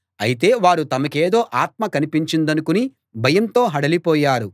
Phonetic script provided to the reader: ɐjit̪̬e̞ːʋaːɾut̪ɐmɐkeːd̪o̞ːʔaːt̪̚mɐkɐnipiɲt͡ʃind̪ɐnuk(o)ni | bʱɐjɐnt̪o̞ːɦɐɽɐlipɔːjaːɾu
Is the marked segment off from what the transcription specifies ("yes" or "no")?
yes